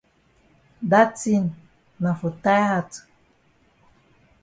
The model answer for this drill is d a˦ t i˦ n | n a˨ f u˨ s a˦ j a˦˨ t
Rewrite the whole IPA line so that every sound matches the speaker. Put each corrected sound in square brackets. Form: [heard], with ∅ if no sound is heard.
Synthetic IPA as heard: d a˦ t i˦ n | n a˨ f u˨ [t] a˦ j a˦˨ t